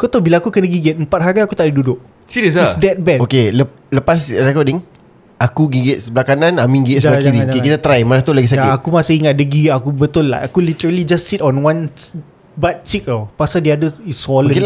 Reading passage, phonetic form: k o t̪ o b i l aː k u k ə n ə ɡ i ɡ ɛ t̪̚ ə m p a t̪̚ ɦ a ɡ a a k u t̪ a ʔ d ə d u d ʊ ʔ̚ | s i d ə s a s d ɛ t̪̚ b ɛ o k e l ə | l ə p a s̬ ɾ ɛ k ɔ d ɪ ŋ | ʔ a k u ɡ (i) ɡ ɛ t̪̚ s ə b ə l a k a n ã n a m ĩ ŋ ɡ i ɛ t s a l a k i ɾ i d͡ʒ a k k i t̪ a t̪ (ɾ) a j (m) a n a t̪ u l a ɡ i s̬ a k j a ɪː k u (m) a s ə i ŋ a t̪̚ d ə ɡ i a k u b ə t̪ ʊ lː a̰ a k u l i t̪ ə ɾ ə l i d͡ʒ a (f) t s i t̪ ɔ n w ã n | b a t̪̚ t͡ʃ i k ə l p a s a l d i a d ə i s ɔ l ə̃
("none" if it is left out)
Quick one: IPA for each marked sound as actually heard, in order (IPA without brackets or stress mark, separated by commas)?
i, ɾ, m, m, s